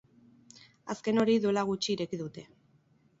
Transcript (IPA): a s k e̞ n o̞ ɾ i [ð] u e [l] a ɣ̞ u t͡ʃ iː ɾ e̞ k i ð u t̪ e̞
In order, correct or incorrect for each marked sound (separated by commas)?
correct, correct